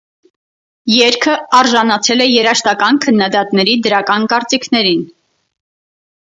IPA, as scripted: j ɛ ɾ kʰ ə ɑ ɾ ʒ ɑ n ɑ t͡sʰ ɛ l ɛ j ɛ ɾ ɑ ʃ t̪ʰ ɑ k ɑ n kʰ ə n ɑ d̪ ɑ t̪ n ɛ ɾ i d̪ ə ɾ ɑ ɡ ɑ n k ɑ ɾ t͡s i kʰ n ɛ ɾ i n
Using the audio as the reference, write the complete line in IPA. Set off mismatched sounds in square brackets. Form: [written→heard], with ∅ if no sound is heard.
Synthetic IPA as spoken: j ɛ ɾ kʰ ə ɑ ɾ ʒ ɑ n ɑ t͡sʰ ɛ l ɛ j ɛ ɾ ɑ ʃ [t̪ʰ→t̪] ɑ k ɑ n kʰ ə [n→nː] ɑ d̪ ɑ t̪ n ɛ ɾ i d̪ ə ɾ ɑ [ɡ→k] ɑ n k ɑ ɾ t͡s i kʰ n ɛ ɾ i n